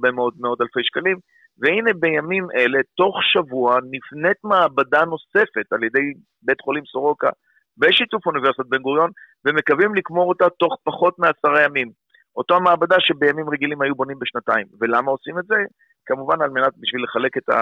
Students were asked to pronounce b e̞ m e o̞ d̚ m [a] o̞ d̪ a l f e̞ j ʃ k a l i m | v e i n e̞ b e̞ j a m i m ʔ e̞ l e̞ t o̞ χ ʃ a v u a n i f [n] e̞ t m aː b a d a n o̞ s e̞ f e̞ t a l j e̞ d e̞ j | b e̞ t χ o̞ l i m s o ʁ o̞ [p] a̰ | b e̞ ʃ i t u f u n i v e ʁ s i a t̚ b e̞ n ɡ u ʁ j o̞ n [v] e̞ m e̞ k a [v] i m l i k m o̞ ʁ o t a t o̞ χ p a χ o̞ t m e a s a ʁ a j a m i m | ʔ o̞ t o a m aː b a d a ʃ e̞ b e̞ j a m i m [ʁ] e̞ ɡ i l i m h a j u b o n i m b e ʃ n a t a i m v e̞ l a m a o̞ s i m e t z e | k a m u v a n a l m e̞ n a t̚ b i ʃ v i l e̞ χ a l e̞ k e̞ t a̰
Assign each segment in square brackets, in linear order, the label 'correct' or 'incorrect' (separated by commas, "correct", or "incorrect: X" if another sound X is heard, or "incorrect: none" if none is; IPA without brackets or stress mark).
incorrect: e, correct, incorrect: k, correct, correct, correct